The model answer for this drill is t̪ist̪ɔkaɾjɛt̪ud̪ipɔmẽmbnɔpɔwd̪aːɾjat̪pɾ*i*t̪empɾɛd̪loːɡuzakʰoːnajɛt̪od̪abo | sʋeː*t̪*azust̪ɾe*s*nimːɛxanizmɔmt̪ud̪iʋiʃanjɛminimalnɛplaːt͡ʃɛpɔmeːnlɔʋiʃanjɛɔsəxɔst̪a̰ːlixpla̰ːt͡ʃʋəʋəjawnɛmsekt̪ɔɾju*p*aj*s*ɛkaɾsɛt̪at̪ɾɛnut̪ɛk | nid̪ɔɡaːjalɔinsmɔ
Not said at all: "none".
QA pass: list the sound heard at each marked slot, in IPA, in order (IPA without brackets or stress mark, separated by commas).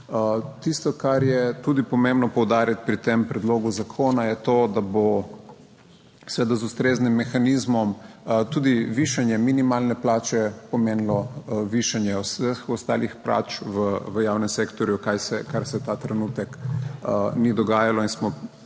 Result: i, d̪, z, k, s